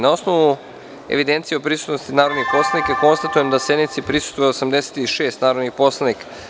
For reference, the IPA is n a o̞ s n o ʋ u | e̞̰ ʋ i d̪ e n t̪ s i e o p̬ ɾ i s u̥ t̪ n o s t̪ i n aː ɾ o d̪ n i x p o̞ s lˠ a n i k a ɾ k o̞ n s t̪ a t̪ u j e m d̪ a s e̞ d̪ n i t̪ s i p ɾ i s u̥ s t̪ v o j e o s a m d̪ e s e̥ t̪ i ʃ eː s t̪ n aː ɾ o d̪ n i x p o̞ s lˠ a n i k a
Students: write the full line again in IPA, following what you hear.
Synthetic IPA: n a o̞ s n o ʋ u | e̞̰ ʋ i d̪ e n t̪ s i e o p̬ ɾ i s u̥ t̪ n o s t̪ i n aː ɾ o d̪ n i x p o̞ s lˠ a n i k a k o̞ n s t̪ a t̪ u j e m d̪ a s e̞ d̪ n i t̪ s i p ɾ i s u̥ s t̪ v o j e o s a m d̪ e s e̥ t̪ i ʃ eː s t̪ n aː ɾ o d̪ n i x p o̞ s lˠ a n i k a